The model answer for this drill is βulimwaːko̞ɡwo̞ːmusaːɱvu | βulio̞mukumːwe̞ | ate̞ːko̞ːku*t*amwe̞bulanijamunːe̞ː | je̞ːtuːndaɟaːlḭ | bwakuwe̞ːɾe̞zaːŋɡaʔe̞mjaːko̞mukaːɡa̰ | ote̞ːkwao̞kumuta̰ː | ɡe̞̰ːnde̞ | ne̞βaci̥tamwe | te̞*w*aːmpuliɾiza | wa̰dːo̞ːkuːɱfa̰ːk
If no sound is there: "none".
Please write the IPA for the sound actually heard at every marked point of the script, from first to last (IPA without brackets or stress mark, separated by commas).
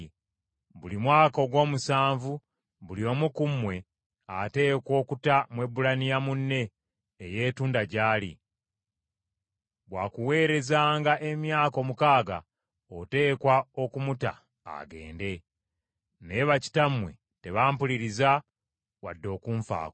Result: t, β